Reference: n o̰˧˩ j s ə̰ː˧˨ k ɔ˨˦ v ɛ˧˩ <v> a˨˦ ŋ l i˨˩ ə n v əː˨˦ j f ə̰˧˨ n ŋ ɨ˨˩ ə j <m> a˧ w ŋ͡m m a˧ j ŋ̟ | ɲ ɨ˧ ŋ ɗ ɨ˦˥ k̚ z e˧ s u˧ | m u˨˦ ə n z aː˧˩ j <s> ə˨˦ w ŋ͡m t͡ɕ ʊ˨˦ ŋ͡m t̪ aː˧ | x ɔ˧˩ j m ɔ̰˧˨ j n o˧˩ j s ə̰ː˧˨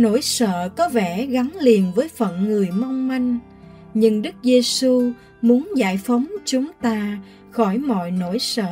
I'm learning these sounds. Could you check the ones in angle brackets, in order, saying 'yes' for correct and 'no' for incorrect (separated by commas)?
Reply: no, yes, no